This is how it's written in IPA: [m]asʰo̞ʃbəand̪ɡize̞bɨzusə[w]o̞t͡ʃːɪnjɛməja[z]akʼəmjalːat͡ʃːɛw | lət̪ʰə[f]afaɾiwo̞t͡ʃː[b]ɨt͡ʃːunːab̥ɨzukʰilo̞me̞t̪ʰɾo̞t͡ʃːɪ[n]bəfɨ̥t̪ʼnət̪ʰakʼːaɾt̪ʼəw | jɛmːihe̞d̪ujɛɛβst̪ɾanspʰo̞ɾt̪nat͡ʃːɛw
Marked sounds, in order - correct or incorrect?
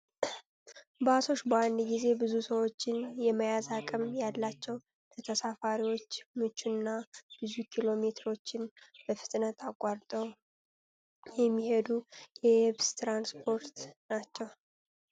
incorrect, correct, correct, incorrect, incorrect, correct

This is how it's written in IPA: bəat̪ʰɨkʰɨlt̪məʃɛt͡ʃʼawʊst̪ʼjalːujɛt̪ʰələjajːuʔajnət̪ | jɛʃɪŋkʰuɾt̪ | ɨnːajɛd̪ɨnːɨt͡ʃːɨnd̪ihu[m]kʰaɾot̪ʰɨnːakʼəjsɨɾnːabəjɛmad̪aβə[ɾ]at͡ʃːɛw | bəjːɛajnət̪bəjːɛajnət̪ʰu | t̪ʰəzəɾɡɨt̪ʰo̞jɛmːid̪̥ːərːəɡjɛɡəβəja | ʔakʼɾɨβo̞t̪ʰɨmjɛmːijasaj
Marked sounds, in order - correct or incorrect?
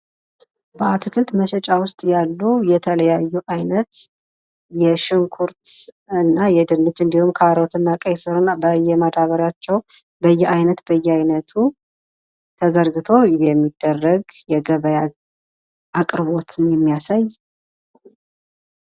correct, correct

